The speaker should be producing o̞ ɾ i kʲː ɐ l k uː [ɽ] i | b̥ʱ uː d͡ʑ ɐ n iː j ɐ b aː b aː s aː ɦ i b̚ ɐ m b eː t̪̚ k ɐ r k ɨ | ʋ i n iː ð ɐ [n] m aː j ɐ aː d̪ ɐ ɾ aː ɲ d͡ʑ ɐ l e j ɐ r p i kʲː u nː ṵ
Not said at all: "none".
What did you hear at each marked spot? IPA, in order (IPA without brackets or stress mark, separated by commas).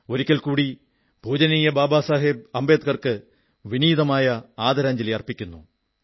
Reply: ɽ, none